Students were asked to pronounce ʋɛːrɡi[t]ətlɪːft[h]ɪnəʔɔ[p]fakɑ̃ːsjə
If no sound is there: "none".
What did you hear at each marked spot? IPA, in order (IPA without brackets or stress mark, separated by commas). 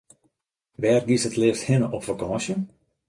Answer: s, h, p